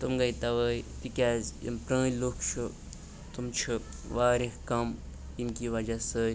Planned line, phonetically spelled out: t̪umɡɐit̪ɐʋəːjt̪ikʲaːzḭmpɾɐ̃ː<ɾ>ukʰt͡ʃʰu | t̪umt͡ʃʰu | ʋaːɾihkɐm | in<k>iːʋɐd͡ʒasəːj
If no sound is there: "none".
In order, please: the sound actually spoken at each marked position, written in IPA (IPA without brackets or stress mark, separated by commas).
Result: l, k